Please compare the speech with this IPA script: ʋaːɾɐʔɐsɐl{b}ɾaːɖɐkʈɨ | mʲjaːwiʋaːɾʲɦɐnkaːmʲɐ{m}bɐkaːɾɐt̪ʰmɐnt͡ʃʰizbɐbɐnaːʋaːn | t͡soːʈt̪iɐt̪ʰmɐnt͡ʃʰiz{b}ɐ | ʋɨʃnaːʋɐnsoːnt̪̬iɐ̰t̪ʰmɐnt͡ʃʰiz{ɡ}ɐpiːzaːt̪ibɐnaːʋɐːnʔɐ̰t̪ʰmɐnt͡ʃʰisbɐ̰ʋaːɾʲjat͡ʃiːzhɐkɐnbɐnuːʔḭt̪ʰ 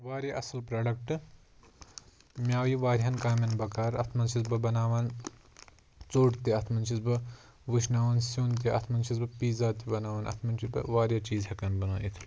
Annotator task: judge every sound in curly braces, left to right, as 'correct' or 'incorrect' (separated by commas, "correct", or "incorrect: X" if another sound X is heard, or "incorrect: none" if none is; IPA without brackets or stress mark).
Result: incorrect: p, incorrect: n, correct, incorrect: b